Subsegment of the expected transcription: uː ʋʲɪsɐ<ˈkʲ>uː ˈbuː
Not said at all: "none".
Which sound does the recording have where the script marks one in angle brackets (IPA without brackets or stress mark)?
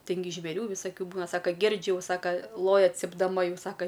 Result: kʲ